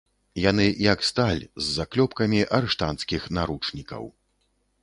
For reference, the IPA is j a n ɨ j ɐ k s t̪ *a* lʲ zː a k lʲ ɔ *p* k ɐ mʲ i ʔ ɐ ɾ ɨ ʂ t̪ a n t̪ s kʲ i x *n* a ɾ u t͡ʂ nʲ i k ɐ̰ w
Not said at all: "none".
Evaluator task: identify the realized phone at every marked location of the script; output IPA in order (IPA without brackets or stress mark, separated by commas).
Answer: a, p, n